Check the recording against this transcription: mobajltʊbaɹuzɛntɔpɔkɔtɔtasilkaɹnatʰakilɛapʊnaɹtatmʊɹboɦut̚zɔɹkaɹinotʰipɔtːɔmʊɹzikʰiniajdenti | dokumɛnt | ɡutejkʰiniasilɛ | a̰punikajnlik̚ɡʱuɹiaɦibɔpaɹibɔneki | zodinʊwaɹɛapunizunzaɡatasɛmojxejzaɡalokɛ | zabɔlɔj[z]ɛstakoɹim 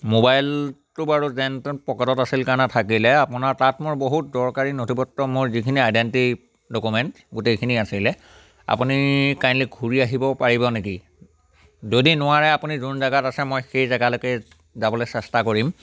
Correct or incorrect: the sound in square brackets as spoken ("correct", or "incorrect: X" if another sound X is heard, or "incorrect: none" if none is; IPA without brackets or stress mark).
incorrect: s